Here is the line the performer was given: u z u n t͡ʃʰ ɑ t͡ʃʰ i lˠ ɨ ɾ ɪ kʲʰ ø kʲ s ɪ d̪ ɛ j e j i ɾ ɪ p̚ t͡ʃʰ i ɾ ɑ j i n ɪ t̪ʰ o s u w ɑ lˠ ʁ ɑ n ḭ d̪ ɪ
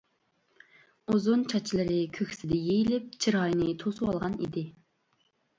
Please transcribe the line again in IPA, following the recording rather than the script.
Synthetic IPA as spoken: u z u n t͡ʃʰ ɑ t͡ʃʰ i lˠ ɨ ɾ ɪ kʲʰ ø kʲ s ɪ d̪ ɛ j e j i l ɪ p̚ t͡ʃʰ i ɾ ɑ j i n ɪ t̪ʰ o s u w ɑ lˠ ʁ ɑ n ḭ d̪ ɪ